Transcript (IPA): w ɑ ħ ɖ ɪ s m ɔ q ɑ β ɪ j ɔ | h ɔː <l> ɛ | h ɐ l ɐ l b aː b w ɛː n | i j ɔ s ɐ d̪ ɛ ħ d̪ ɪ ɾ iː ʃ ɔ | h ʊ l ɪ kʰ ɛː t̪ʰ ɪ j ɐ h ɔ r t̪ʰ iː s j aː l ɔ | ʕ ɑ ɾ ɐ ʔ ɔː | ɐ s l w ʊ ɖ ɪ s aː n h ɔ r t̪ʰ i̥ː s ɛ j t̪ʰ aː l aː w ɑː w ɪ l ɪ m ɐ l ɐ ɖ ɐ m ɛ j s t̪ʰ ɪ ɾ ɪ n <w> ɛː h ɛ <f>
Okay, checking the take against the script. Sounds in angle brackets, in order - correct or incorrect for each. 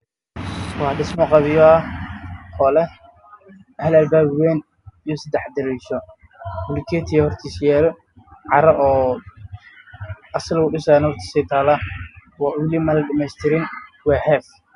correct, correct, correct

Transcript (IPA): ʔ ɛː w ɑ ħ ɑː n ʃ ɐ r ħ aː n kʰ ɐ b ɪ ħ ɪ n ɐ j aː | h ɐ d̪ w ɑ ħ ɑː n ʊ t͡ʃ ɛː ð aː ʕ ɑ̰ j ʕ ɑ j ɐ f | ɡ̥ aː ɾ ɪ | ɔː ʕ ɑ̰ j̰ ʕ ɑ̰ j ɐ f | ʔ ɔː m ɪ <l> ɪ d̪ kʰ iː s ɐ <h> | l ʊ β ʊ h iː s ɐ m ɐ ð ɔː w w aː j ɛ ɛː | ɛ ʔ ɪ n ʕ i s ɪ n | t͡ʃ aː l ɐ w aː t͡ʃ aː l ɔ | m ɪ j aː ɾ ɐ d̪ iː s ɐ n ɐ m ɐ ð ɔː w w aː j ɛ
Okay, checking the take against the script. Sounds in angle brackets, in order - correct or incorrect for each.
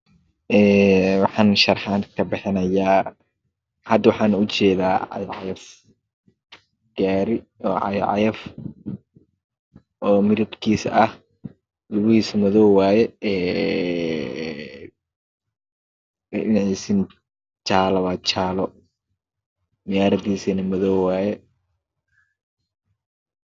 incorrect: ɾ, correct

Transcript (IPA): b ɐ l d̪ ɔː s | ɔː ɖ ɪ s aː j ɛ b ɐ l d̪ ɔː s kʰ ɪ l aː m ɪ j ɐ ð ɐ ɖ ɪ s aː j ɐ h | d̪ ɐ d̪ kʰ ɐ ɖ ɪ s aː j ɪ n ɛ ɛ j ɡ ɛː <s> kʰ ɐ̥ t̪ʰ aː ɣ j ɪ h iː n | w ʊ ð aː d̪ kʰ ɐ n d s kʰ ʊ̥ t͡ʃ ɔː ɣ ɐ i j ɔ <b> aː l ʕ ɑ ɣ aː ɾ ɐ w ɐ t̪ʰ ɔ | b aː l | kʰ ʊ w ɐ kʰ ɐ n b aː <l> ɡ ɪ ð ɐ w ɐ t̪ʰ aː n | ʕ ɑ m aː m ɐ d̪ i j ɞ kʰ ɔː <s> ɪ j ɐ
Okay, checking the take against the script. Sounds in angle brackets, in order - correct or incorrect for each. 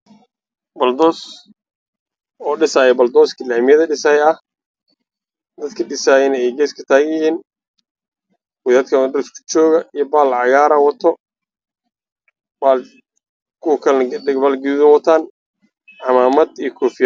correct, correct, correct, incorrect: f

